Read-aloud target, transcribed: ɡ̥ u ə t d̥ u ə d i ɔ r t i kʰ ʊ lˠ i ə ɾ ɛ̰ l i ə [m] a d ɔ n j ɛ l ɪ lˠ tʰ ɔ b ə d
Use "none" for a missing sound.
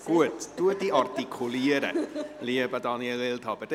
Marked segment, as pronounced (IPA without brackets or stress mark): b